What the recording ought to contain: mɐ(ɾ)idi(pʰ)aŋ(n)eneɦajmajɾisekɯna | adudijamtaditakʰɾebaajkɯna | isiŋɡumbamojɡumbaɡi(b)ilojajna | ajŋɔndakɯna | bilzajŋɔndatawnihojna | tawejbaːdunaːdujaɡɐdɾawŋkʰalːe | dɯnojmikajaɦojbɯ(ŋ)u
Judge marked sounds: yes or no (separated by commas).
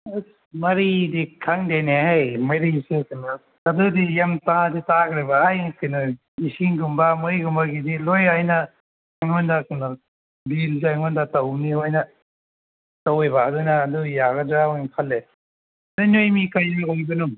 yes, no, no, no, no